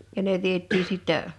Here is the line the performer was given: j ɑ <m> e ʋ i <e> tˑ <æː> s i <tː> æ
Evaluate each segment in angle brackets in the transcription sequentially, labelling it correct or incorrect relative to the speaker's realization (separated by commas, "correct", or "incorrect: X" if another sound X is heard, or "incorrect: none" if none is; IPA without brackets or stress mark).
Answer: incorrect: n, correct, incorrect: iː, correct